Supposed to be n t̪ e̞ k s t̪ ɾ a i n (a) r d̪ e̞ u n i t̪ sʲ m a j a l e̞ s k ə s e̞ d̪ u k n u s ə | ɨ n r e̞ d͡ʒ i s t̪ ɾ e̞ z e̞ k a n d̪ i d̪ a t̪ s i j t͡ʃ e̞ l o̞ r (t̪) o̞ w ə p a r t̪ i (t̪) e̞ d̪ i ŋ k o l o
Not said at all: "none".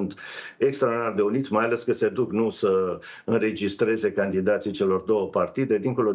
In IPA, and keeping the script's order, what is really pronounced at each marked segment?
a, d̪, d̪

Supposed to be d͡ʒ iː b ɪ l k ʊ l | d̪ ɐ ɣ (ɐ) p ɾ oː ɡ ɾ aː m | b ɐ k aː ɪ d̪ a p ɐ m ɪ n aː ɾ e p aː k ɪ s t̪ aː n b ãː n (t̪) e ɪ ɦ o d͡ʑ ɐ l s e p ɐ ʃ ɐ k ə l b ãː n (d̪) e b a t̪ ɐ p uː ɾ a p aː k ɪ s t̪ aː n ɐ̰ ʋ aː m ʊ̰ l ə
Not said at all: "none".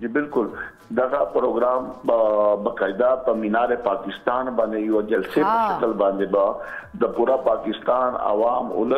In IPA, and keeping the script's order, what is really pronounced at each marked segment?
a, d̪, d̪

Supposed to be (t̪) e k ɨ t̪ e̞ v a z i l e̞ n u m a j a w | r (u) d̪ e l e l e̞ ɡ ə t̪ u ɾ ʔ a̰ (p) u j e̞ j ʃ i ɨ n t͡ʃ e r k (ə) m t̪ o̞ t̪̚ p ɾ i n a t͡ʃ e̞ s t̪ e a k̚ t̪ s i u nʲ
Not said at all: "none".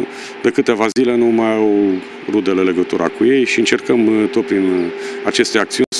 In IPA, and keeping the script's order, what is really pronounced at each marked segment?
d̪, u, k, ə

